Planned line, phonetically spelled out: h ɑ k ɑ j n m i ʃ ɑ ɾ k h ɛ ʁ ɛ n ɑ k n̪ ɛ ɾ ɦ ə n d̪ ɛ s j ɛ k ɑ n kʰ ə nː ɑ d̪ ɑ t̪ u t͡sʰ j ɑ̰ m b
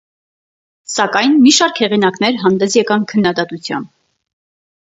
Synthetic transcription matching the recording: s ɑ k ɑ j n m i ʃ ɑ ɾ k h ɛ ʁ i n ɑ k n̪ ɛ ɾ ɦ ɑ n d̪ ɛ s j ɛ k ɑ n kʰ ə nː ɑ d̪ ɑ t̪ u t͡sʰ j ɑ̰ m b